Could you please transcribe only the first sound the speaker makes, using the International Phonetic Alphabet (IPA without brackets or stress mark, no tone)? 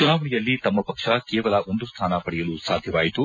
t͡ʃ